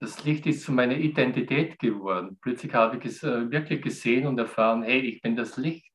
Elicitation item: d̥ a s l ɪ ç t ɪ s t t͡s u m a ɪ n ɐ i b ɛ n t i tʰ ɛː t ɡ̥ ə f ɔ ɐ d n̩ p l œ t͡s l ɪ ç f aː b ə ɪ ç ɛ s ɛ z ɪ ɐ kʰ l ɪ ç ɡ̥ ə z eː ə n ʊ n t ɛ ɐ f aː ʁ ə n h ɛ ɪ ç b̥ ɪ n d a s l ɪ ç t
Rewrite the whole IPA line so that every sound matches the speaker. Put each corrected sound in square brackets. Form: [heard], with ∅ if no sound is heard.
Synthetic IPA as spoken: d̥ a s l ɪ ç t ɪ s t t͡s u m a ɪ n ɐ i [d] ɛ n t i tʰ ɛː t ɡ̥ ə [v] ɔ ɐ d n̩ p l œ t͡s l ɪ ç [h] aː b ə ɪ ç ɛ s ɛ [v] ɪ ɐ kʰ l ɪ ç ɡ̥ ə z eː ə n ʊ n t ɛ ɐ f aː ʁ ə n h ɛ ɪ ç b̥ ɪ n d a s l ɪ ç t